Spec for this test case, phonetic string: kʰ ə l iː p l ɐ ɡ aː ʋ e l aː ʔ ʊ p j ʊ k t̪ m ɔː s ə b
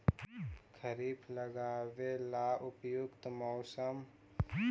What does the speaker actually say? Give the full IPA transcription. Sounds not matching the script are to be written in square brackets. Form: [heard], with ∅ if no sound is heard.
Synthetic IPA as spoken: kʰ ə [ɾ] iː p l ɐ ɡ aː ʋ e l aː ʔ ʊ p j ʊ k t̪ m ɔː s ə [m]